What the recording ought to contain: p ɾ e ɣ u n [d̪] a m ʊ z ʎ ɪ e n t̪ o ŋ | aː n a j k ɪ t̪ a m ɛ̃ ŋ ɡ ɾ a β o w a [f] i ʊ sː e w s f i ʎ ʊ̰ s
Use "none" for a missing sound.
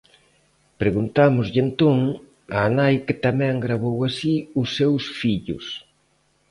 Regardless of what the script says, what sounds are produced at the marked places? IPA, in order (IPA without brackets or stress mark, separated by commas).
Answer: t̪, s